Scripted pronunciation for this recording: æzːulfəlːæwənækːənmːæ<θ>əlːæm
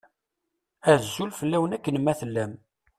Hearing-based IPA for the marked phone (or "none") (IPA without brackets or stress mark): θ